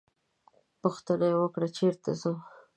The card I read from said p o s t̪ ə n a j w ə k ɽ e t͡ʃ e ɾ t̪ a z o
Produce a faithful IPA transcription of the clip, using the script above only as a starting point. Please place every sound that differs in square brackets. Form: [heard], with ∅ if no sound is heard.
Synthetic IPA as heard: p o [x] t̪ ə n a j w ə k ɽ [a] t͡ʃ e ɾ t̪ a z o